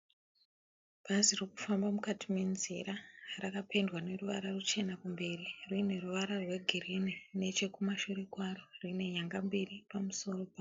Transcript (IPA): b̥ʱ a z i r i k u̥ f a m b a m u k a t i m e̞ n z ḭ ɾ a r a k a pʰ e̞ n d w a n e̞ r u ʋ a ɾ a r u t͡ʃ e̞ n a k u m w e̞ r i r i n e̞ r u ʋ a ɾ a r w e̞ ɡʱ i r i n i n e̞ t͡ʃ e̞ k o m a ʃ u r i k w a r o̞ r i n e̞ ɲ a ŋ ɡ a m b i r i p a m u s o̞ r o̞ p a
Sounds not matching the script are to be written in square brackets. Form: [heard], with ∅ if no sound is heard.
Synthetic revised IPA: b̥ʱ a z i r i k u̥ f a m b a m u k a t i m e̞ n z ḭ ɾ a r a k a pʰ e̞ n d w a n e̞ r u ʋ a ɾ a r u t͡ʃ e̞ n a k u m [b] e̞ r i r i n e̞ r u ʋ a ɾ a r w e̞ ɡʱ i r i n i n e̞ t͡ʃ e̞ k [u] m a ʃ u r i k w a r o̞ r i n e̞ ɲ a ŋ ɡ a m b i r i p a m u s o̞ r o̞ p a